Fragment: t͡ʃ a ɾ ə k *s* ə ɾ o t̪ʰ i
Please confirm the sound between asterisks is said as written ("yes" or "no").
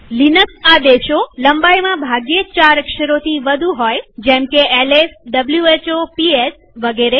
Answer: no